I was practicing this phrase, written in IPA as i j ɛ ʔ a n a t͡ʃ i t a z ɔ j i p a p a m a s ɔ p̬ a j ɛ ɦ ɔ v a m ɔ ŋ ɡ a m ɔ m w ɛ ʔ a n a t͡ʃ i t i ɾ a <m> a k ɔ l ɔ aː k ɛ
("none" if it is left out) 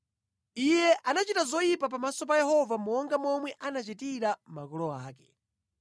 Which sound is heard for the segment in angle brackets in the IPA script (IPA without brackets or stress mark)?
m